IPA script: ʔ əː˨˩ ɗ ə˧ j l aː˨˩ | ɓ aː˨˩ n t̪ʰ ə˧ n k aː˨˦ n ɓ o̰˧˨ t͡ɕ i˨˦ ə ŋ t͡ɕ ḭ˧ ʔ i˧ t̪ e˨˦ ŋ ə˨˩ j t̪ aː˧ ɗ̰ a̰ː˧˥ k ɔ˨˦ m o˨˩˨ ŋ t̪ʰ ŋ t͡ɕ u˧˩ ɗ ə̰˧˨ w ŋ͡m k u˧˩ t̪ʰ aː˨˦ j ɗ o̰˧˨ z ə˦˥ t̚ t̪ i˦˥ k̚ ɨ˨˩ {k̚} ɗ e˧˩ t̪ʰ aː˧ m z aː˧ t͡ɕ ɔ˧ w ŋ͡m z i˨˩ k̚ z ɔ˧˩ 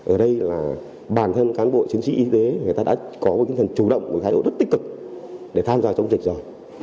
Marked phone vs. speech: correct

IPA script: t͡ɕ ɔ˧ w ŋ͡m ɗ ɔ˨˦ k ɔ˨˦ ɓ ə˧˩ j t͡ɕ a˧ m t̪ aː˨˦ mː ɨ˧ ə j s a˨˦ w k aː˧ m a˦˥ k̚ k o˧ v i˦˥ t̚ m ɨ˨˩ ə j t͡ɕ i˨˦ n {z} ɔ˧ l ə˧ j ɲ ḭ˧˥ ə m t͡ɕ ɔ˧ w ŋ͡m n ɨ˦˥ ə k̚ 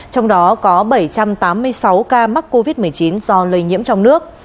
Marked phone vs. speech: correct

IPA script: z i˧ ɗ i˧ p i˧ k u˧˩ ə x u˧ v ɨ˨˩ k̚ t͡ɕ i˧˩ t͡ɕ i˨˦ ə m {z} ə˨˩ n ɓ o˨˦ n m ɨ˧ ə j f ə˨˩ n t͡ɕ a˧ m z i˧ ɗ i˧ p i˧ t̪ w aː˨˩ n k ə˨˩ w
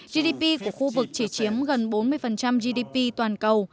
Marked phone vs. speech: incorrect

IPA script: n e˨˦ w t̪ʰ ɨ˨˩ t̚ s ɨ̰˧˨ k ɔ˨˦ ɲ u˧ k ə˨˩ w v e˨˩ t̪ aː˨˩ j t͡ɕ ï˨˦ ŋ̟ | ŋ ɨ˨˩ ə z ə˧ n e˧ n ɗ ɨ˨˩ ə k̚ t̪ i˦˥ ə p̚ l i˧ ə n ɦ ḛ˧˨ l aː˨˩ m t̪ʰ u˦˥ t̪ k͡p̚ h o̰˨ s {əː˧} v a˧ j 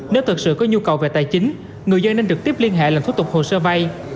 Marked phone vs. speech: correct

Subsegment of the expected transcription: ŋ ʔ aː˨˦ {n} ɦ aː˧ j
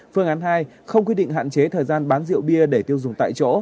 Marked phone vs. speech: correct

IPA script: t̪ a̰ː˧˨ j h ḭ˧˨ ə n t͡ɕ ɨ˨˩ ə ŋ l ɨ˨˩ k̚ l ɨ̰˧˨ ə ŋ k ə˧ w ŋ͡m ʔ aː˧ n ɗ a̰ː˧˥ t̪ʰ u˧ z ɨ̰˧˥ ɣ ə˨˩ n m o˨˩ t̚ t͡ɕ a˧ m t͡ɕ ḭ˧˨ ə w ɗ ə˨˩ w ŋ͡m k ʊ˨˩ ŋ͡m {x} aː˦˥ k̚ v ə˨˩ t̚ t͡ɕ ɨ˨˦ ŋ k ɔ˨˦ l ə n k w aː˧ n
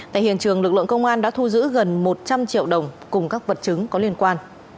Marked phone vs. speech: incorrect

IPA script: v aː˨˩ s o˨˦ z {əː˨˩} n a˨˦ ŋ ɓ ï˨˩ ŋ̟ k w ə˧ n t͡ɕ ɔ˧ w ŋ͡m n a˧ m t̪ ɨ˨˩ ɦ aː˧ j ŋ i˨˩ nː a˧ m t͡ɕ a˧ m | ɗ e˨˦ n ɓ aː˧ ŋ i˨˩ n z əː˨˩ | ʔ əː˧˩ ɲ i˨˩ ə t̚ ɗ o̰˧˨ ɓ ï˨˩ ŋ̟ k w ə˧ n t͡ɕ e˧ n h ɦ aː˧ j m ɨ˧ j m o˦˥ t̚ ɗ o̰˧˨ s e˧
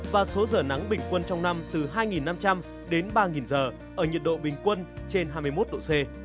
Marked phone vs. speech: correct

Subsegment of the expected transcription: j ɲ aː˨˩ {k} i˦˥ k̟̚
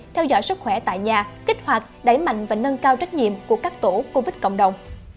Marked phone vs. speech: correct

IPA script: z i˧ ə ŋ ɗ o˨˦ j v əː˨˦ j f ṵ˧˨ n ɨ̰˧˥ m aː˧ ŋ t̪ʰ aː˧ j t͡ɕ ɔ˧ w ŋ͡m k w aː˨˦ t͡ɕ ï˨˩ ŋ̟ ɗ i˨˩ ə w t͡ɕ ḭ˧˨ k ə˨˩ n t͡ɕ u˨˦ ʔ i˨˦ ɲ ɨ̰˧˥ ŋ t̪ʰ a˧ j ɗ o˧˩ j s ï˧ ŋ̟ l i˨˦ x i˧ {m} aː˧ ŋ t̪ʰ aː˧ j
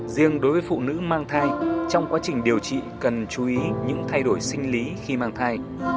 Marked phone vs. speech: correct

